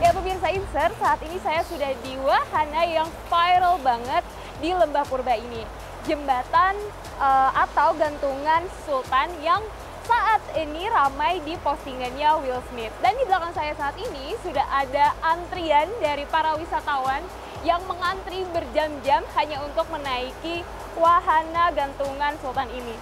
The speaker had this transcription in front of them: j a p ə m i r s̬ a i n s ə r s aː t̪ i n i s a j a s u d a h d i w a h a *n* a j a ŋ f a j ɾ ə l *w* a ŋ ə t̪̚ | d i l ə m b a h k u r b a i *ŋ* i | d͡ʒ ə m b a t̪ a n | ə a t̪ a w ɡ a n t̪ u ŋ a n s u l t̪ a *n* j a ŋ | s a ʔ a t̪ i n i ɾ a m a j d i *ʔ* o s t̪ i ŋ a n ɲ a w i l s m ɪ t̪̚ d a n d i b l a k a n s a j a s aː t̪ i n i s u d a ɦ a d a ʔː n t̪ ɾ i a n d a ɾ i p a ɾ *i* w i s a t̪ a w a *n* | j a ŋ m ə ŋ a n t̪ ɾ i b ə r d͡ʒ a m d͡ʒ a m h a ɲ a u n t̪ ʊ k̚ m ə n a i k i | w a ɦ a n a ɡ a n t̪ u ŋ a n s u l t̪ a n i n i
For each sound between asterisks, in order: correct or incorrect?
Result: correct, incorrect, incorrect, correct, incorrect, incorrect, correct

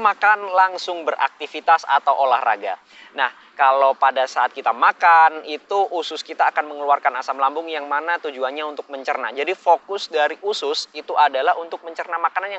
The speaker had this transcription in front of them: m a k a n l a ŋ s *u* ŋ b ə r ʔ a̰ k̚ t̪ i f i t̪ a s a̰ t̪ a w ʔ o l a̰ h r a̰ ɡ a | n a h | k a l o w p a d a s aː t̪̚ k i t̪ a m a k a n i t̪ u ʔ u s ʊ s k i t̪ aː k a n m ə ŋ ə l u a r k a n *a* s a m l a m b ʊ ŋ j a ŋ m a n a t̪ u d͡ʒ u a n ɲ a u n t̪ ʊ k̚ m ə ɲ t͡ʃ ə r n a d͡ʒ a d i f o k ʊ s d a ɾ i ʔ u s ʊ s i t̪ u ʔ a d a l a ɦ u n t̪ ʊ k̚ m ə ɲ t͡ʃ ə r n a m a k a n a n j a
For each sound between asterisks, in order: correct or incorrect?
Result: incorrect, correct

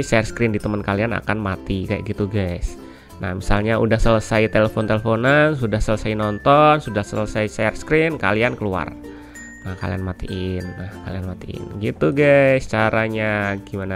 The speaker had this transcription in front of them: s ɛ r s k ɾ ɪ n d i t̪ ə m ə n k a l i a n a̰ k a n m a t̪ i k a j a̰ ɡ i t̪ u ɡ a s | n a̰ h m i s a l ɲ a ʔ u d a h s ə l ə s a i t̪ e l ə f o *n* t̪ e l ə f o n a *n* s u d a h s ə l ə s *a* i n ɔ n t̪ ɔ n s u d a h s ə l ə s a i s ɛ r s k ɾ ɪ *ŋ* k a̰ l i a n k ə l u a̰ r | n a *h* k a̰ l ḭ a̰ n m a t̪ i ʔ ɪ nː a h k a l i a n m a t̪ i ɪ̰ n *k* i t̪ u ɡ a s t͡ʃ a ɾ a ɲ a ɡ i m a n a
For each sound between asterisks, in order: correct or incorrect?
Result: correct, correct, correct, incorrect, correct, incorrect

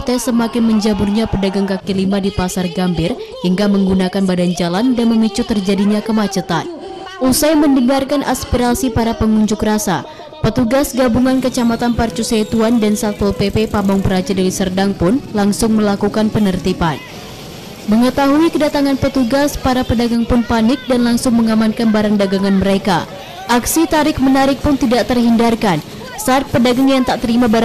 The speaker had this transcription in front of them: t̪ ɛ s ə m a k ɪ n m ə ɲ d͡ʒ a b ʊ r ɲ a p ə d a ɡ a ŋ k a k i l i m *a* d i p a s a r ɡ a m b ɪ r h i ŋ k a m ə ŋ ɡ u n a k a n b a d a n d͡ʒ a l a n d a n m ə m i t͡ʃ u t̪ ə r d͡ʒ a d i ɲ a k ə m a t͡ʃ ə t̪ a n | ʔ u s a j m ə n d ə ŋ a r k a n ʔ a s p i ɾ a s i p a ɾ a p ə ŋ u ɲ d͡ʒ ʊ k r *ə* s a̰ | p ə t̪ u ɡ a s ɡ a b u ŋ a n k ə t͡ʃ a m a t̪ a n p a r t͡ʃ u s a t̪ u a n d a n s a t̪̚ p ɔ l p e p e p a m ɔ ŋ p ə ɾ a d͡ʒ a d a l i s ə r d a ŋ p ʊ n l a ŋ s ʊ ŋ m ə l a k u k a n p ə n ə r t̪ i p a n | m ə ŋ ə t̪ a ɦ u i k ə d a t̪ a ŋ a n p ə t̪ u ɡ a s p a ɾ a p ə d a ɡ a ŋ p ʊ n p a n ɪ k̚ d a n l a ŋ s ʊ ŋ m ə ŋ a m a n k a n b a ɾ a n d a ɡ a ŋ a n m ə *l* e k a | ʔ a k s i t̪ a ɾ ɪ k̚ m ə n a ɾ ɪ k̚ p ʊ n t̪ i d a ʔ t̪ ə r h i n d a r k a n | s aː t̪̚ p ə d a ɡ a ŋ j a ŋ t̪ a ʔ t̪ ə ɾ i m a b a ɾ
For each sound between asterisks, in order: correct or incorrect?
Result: correct, incorrect, incorrect

